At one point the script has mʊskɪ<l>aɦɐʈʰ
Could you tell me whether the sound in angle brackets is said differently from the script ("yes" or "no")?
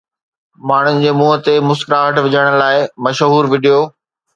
yes